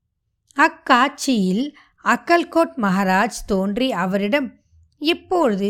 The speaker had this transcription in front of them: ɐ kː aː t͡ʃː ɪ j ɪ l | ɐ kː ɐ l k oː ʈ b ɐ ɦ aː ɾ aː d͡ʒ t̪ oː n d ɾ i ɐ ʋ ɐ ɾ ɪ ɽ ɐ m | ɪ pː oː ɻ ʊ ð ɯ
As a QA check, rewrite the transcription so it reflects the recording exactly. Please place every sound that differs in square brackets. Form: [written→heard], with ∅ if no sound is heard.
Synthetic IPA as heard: ɐ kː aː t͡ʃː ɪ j ɪ l | ɐ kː ɐ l k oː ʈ [b→m] ɐ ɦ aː ɾ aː d͡ʒ t̪ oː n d [ɾ→r] i ɐ ʋ ɐ ɾ ɪ ɽ ɐ m | ɪ pː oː ɻ [ʊ→ɯ] ð ɯ